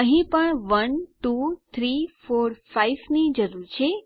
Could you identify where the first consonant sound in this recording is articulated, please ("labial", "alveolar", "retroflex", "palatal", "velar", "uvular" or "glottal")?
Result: glottal